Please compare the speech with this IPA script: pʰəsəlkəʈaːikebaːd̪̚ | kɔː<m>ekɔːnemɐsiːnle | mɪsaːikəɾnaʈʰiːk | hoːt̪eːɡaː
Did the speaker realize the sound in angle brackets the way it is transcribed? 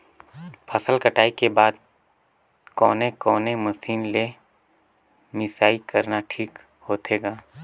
no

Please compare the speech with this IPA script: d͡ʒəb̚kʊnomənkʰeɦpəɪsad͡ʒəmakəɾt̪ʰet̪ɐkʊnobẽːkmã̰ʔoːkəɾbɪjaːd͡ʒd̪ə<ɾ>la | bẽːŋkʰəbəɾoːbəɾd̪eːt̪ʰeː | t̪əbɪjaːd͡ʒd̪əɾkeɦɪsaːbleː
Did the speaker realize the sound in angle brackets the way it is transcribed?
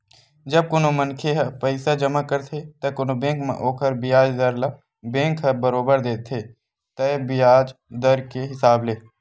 yes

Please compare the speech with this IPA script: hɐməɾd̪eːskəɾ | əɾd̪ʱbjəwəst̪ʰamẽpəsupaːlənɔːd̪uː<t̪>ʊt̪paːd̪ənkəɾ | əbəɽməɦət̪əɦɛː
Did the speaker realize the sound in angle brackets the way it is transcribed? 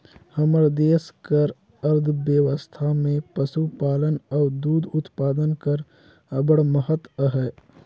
no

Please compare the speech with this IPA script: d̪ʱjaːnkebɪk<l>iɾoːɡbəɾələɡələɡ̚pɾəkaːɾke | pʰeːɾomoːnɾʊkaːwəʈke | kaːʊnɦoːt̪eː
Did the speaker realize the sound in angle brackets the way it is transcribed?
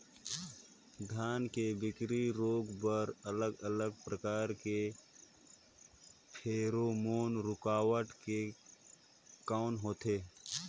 no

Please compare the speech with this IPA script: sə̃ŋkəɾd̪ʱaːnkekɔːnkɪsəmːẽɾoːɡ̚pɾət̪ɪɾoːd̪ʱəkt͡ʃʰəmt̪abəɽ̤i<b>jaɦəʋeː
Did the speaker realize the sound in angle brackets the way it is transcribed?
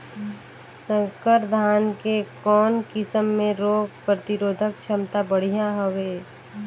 no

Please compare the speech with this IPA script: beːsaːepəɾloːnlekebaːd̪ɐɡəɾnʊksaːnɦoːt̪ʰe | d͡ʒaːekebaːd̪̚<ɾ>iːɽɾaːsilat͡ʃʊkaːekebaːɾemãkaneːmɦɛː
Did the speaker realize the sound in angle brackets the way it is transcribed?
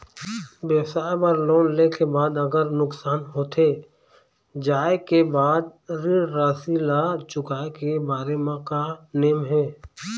yes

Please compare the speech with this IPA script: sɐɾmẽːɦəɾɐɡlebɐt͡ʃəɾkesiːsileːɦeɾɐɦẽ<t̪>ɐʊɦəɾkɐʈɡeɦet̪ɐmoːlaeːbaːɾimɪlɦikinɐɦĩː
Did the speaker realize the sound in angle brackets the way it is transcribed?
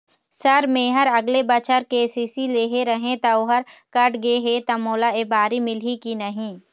yes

